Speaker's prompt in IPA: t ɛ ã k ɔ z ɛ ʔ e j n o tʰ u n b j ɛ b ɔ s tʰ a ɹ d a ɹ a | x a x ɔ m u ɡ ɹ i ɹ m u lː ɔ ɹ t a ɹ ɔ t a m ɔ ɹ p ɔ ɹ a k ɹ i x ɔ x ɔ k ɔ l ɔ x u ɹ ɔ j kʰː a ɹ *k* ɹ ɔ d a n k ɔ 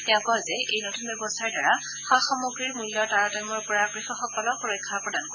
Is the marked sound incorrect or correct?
incorrect: p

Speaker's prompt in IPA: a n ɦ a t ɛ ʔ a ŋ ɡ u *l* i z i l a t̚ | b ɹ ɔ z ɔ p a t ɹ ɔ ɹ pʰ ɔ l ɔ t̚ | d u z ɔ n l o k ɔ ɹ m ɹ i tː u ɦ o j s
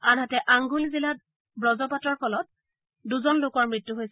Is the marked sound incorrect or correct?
correct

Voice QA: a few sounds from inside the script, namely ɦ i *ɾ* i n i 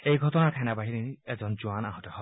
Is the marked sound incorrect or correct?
correct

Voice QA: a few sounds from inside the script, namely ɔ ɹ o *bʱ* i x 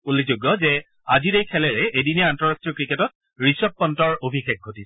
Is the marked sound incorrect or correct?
correct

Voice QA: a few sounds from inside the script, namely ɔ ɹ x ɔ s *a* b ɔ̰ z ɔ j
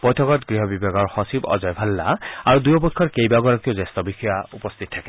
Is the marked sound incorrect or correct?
incorrect: i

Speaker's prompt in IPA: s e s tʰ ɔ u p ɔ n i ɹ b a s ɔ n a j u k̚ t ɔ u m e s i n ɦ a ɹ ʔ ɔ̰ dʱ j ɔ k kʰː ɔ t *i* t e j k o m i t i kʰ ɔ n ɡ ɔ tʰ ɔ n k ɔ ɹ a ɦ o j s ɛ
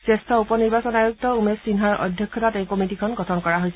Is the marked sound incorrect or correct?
incorrect: a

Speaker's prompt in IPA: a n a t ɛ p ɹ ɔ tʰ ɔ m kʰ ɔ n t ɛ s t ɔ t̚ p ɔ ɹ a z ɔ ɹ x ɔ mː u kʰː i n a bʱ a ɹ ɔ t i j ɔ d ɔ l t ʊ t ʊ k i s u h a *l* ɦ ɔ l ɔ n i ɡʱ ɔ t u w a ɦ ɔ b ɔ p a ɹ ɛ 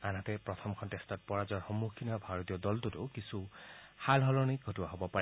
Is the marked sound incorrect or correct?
correct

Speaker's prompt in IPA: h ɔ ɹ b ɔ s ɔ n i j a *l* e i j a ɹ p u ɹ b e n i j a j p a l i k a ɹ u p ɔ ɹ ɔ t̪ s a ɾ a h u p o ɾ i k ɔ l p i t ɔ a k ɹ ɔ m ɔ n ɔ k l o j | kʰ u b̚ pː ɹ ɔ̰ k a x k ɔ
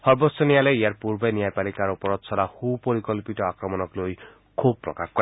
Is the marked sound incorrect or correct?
correct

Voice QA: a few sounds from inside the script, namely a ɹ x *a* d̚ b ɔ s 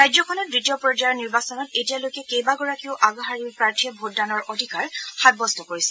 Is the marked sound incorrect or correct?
correct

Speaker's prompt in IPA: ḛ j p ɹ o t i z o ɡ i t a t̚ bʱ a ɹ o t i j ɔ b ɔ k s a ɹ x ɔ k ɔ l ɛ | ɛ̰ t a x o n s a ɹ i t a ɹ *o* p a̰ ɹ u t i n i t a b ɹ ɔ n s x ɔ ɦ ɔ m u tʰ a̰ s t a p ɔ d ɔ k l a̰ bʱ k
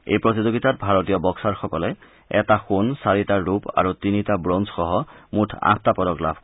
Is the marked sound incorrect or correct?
incorrect: u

